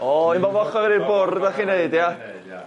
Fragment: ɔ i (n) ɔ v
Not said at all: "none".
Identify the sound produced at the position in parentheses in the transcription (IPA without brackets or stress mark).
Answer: m